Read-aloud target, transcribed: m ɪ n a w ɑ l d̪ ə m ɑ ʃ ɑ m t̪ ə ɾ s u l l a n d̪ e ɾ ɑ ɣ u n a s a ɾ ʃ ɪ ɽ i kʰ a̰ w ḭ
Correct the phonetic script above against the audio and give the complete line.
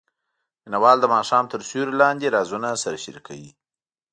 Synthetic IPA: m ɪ n a w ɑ l d̪ ə m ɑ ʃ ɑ m t̪ ə ɾ s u ɾ l ɑ n d̪ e ɾ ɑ z u n a s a ɾ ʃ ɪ ɾ i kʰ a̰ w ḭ